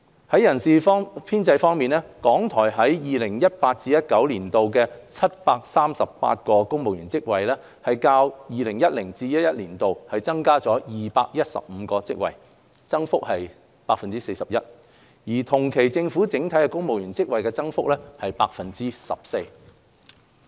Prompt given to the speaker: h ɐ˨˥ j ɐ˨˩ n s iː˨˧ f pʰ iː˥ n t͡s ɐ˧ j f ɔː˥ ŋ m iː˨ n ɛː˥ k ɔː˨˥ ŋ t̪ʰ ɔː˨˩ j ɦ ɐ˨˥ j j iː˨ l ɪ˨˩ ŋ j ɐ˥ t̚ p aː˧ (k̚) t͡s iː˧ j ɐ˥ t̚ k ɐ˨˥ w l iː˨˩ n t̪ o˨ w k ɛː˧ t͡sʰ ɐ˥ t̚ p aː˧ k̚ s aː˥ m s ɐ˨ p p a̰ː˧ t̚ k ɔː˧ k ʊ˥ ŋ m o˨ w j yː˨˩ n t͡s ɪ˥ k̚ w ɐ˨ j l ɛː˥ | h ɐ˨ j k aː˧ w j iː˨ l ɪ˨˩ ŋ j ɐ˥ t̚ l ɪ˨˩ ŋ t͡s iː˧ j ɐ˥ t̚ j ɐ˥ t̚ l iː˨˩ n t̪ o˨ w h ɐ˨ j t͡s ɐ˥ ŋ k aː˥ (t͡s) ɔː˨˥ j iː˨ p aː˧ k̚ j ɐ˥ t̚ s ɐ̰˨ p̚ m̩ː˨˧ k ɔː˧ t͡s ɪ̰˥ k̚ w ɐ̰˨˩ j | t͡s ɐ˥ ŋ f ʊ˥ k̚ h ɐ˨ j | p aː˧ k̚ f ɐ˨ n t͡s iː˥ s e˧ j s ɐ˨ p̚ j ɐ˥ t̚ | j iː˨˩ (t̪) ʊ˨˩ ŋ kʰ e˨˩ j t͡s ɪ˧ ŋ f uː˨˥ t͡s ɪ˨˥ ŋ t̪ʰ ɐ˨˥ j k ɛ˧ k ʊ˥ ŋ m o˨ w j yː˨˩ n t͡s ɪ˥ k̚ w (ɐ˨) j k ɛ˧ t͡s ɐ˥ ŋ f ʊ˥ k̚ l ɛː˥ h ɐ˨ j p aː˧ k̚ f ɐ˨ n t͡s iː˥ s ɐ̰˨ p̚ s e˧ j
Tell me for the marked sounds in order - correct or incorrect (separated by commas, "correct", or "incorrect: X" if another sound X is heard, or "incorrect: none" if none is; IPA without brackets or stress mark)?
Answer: incorrect: t̚, correct, incorrect: t̪ʰ, correct